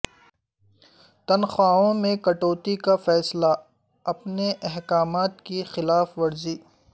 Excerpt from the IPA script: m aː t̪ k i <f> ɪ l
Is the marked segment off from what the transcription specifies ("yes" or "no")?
yes